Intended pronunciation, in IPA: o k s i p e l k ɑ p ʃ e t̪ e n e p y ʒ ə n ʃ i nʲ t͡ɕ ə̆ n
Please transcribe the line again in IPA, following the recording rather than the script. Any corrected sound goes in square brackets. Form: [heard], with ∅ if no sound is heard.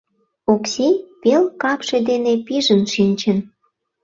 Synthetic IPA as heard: o k s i p e l k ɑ p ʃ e [d̪] e n e p [i] ʒ ə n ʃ i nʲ t͡ɕ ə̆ n